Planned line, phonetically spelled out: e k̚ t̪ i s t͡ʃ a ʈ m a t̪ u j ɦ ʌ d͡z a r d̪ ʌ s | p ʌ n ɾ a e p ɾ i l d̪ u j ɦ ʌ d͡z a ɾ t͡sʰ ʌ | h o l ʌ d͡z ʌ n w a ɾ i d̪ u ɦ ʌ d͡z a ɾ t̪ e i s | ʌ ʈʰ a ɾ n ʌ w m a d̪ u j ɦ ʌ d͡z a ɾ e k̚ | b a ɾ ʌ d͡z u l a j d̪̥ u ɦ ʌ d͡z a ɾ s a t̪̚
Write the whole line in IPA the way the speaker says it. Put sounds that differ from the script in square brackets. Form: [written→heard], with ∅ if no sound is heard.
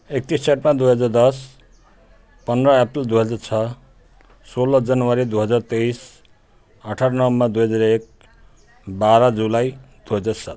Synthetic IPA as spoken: e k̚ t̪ i s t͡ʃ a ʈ m a [t̪→d̪] u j ɦ ʌ d͡z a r d̪ ʌ s | p ʌ n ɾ [a→ʌ] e p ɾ i l d̪ u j ɦ ʌ d͡z a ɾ t͡sʰ ʌ | [h→s] o l ʌ d͡z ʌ n w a ɾ i d̪ u ɦ ʌ d͡z a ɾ t̪ e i s | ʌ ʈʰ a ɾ n ʌ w m a d̪ u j ɦ ʌ d͡z a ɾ e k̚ | b a ɾ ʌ d͡z u l a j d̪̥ u ɦ ʌ d͡z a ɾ s a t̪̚

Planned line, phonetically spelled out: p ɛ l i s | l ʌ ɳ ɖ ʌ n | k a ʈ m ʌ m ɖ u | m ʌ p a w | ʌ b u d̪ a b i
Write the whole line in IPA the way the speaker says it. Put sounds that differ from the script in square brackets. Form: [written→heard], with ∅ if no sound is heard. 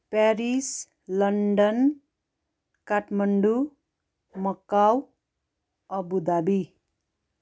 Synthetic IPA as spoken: p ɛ [l→ɾ] i s | l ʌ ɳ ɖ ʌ n | k a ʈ m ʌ [m→ɳ] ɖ u | m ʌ [p→k] a w | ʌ b u d̪ a b i

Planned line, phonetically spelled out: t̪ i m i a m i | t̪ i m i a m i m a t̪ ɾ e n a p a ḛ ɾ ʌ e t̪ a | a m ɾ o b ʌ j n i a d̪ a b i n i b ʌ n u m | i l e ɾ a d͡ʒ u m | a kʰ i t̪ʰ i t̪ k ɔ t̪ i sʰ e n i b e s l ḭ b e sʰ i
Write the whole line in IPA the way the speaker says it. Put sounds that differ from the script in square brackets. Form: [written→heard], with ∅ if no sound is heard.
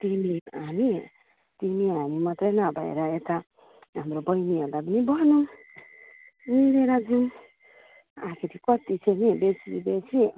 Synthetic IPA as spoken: t̪ i m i a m i | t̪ i m i a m i m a t̪ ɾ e n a [p→b] a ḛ ɾ [ʌ→a] e t̪ a | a m ɾ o b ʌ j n i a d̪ a b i n i b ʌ n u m | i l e ɾ a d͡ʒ u m | a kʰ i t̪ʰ i [t̪→∅] k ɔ t̪ i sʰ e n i b e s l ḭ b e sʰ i

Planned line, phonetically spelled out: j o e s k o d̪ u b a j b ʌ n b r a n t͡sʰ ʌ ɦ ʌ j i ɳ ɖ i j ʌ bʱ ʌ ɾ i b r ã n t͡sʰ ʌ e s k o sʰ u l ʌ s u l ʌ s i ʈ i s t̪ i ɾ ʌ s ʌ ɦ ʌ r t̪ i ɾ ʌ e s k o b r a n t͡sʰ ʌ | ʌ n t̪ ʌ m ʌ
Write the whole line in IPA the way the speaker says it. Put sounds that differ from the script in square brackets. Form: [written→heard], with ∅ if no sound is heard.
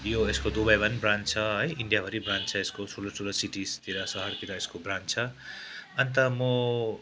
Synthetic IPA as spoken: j o e s k o d̪ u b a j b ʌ n b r a n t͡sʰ ʌ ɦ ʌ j i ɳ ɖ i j [ʌ→a] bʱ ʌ ɾ i b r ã n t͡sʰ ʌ e s k o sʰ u l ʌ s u l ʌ s i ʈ i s t̪ i ɾ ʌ s ʌ ɦ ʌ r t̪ i ɾ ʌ e s k o b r a n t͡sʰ ʌ | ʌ n t̪ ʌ m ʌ

